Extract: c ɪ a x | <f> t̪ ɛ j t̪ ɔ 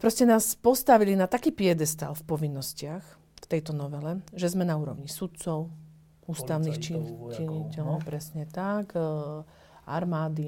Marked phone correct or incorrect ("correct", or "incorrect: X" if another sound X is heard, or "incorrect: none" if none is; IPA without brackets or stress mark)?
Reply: correct